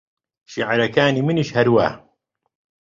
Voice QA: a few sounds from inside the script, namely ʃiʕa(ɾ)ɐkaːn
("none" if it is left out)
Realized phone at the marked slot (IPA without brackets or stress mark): ɾ